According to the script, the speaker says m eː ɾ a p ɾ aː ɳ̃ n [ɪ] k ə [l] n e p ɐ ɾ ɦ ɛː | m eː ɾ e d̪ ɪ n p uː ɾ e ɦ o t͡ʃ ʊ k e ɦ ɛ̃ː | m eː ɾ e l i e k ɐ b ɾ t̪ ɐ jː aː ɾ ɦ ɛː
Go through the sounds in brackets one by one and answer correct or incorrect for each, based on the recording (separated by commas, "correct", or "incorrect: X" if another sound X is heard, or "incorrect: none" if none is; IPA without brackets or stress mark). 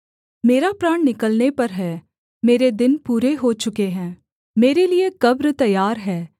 correct, correct